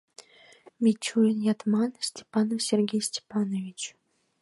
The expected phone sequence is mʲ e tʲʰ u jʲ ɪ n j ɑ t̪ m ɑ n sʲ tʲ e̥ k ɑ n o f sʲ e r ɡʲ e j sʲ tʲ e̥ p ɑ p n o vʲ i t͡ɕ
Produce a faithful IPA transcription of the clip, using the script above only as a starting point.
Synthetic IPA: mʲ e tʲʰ u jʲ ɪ n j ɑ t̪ m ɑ n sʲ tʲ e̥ p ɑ n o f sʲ e r ɡʲ e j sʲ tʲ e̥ p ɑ n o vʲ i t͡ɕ